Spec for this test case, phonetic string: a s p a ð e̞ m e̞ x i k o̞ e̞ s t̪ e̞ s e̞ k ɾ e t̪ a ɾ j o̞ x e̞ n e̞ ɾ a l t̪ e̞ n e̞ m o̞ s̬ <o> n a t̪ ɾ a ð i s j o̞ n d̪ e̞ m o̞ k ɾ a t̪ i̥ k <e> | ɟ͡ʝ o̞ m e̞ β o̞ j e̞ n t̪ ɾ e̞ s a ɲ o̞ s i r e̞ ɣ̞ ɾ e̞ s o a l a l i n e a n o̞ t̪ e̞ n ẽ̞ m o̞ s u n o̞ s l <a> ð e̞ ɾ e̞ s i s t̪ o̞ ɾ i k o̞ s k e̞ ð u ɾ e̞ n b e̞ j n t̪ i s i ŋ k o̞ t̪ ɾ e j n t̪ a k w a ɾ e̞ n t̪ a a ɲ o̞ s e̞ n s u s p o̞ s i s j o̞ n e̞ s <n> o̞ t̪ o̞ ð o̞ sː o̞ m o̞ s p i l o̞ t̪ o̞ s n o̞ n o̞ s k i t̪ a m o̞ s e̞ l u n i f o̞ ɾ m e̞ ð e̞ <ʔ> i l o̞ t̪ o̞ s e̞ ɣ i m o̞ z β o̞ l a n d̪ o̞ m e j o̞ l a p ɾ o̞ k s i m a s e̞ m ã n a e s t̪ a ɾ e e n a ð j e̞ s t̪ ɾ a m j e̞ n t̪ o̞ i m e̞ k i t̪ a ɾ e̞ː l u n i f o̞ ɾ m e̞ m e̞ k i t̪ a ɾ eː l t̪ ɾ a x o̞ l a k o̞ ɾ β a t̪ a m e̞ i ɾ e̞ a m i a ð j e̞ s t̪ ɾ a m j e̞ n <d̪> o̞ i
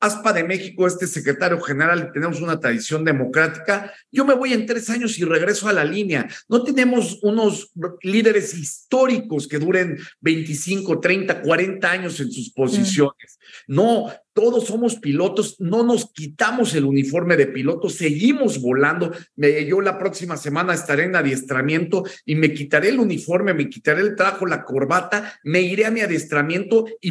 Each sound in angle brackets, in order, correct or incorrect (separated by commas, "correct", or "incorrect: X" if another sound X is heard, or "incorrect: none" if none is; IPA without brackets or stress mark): incorrect: u, incorrect: a, incorrect: i, correct, incorrect: p, incorrect: t̪